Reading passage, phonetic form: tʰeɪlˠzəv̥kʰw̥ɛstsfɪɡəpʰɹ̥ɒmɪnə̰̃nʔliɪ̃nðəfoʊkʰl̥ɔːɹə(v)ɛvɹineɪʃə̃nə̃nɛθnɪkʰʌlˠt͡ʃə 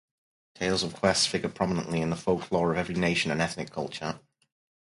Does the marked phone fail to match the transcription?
no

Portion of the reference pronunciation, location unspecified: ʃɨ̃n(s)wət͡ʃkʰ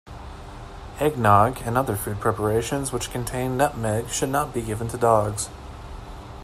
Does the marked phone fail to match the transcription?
yes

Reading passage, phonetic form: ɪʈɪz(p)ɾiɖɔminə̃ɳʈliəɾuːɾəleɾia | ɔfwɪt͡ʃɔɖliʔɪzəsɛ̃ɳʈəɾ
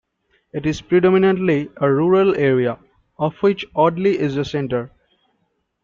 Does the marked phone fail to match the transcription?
no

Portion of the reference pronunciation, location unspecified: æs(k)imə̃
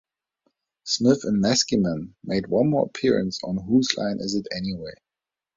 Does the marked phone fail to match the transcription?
no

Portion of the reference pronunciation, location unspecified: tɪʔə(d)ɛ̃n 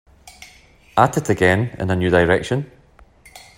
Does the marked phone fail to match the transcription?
yes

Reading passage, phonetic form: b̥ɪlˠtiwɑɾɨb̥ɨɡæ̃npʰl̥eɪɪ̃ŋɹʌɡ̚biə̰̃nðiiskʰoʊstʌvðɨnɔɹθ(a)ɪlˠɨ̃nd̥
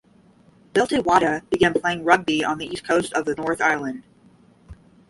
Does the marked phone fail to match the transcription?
no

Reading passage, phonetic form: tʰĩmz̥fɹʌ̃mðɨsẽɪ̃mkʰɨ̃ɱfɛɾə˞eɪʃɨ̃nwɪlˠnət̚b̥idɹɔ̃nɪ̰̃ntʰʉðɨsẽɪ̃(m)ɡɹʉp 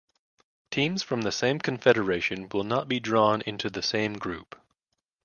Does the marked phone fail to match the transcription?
no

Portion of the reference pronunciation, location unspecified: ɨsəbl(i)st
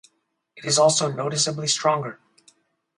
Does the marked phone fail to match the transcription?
no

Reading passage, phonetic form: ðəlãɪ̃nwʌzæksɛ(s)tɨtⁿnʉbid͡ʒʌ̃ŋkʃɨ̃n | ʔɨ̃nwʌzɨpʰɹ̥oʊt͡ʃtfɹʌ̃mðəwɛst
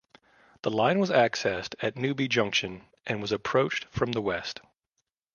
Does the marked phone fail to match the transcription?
no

